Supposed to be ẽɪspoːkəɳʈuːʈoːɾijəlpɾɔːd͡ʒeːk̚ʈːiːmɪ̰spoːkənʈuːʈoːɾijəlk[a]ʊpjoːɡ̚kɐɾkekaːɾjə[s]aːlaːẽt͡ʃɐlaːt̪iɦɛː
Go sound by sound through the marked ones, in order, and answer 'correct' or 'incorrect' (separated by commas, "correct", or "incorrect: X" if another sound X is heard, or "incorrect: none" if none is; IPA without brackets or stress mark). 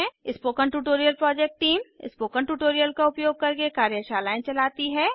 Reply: correct, incorrect: ʃ